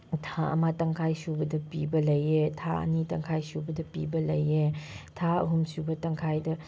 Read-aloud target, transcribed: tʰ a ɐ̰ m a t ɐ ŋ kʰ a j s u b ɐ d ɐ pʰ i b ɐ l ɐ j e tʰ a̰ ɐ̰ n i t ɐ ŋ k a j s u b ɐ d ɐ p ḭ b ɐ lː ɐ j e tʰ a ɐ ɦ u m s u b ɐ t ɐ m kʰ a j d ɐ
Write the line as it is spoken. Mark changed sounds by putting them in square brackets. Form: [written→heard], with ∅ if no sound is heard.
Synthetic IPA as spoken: tʰ a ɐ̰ m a t ɐ ŋ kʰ a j s u b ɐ d ɐ [pʰ→p] i b ɐ l ɐ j e tʰ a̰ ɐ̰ n i t ɐ ŋ [k→kʰ] a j s u b ɐ d ɐ p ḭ b ɐ [lː→l] ɐ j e tʰ a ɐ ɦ u m s u b ɐ t ɐ [m→ŋ] kʰ a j d ɐ